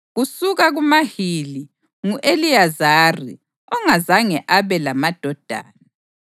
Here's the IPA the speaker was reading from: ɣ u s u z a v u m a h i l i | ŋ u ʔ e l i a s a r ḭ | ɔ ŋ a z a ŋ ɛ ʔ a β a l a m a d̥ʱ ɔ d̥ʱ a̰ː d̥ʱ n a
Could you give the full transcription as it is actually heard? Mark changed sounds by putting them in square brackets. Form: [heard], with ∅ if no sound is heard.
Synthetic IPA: ɣ u s u [ɣ] a [ɣ] u m a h i l i | ŋ u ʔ e l i a [z] a r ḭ | ɔ ŋ a z a ŋ ɛ ʔ a β [ɛ] l a m a d̥ʱ ɔ d̥ʱ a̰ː [∅] n a